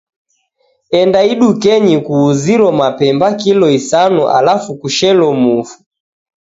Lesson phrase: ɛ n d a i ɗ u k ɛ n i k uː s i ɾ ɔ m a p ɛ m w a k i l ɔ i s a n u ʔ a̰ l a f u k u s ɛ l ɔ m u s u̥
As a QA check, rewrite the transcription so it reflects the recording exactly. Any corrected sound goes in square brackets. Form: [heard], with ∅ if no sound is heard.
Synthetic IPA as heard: ɛ n d a i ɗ u k ɛ [ɲ] i k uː [z] i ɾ ɔ m a p ɛ m [b] a k i l ɔ i s a n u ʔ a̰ l a f u k u [ʃ] ɛ l ɔ m u [f] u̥